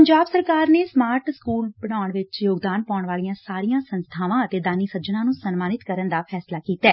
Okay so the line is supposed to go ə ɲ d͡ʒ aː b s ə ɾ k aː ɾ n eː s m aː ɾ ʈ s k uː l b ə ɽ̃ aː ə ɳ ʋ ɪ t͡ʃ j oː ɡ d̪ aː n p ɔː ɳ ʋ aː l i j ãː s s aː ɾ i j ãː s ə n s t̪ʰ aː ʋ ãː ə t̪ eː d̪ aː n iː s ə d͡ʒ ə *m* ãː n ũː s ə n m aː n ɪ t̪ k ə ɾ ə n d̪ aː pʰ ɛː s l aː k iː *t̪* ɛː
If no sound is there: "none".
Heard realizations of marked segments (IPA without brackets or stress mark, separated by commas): n, t̪